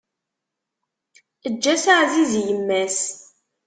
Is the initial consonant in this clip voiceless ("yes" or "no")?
no